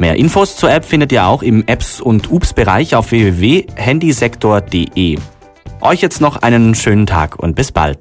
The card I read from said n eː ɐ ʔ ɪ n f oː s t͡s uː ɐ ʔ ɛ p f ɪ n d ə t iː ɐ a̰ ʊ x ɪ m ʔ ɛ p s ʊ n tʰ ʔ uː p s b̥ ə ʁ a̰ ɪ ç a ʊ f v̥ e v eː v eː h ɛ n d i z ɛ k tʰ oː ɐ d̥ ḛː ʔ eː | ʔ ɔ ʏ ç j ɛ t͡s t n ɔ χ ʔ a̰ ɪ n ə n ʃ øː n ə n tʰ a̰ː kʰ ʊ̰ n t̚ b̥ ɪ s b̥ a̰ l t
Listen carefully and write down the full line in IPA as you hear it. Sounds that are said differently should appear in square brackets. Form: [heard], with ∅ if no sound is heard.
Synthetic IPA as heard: [m] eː ɐ ʔ ɪ n f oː s t͡s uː ɐ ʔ ɛ p f ɪ n d ə t iː ɐ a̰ ʊ x ɪ m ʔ ɛ p s ʊ n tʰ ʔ uː p s b̥ ə ʁ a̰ ɪ ç a ʊ f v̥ e v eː v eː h ɛ n d i z ɛ k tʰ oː ɐ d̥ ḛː ʔ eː | ʔ ɔ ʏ ç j ɛ t͡s t n ɔ χ ʔ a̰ ɪ n ə n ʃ øː n ə n tʰ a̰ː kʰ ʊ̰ n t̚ b̥ ɪ s b̥ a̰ l t